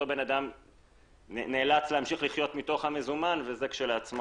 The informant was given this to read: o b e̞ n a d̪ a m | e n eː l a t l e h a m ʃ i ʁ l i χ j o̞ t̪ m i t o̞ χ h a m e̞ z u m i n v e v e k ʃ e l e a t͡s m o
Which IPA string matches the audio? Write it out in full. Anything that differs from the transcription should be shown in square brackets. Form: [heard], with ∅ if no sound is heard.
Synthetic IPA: o b e̞ n a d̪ a m | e n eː l a [t͡s] l e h a m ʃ i [χ] l i χ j o̞ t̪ m i t o̞ χ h a m e̞ z u m [a] n v e [z] e k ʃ e l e a t͡s m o